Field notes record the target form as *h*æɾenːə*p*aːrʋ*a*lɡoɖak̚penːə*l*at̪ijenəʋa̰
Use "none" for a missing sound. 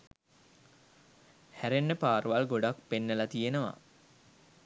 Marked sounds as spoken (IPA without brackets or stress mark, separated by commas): h, p, a, l